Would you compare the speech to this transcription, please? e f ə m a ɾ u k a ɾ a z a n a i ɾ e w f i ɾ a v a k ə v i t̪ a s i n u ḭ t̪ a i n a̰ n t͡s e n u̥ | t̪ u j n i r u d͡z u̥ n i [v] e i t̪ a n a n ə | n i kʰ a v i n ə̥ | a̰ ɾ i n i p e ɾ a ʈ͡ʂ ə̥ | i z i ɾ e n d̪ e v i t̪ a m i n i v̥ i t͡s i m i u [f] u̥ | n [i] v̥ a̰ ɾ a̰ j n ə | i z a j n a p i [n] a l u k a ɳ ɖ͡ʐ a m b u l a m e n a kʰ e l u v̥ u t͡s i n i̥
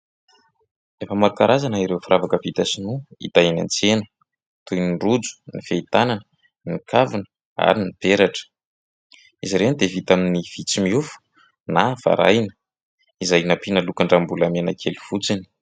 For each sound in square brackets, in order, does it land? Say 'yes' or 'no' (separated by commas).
no, yes, no, yes